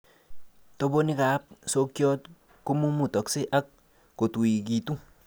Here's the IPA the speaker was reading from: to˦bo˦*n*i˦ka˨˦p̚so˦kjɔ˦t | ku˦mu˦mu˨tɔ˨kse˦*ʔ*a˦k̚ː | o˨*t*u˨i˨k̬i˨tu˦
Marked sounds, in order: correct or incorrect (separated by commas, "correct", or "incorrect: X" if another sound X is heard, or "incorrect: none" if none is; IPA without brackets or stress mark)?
correct, correct, correct